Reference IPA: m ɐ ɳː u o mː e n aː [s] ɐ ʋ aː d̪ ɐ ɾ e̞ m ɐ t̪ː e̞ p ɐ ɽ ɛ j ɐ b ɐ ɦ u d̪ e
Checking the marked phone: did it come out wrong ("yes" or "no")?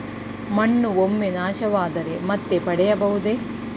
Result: yes